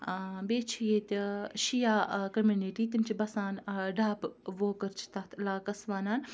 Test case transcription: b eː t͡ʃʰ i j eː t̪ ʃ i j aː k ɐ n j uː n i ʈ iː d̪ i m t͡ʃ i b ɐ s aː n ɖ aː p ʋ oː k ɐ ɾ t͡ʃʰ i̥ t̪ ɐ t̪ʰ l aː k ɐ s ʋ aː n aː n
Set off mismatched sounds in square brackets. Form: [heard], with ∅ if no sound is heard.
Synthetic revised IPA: b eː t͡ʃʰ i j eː t̪ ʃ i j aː k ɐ [m] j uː n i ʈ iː [t̪] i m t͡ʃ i b ɐ s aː n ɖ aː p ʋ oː k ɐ ɾ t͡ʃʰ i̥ t̪ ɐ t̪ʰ l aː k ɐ s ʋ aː n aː n